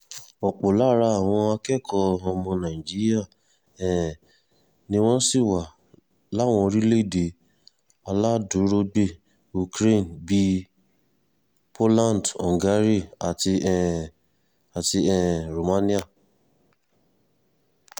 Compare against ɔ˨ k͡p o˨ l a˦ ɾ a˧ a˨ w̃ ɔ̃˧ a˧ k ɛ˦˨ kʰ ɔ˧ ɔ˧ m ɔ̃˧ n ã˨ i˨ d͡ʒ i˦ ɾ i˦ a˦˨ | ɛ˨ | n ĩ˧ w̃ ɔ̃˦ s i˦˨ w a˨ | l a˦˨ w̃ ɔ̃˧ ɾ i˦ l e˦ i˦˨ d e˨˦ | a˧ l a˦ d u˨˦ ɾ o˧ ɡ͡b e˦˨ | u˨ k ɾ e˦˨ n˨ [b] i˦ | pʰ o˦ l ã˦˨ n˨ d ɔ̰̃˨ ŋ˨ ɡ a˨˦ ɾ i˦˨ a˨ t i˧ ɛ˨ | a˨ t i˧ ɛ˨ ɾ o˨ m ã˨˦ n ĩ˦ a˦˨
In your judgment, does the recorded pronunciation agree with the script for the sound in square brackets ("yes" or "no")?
yes